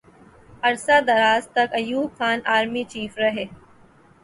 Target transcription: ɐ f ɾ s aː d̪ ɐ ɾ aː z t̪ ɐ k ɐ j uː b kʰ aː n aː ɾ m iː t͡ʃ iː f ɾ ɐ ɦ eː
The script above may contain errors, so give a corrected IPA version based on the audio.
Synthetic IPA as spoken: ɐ ɾ s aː d̪ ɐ ɾ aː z t̪ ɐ k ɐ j uː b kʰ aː n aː ɾ m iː t͡ʃ iː f ɾ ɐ ɦ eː